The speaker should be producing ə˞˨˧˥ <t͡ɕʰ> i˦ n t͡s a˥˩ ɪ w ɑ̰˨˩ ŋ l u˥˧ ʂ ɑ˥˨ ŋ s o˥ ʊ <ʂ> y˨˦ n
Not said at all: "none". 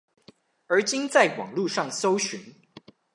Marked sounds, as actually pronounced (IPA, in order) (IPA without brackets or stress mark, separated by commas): t͡ɕ, ɕ